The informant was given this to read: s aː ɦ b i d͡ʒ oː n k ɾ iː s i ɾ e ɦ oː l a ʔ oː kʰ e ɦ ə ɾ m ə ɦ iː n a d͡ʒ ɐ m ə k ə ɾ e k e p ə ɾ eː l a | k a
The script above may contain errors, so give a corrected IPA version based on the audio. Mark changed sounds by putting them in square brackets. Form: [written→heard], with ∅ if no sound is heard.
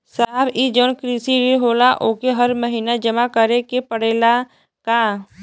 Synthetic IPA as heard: s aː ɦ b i d͡ʒ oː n k ɾ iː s i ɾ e ɦ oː l a ʔ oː [kʰ→k] e ɦ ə ɾ m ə ɦ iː n a d͡ʒ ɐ m [ə→a] k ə ɾ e k e p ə [ɾ→ɽ] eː l a | k a